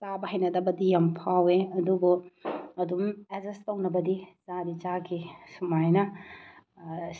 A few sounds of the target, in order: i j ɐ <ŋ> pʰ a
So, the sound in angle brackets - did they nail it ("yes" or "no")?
no